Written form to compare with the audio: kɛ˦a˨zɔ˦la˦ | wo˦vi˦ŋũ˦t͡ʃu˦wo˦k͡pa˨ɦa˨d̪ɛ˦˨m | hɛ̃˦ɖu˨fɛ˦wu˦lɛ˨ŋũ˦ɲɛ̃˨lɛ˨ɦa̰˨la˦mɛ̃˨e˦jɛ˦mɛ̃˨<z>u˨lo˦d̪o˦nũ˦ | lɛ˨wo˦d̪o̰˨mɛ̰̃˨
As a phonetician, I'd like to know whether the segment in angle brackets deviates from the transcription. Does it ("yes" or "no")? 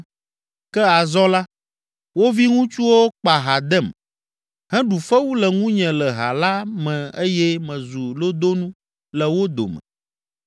no